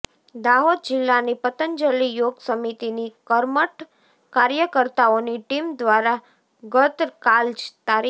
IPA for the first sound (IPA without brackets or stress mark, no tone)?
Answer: d̪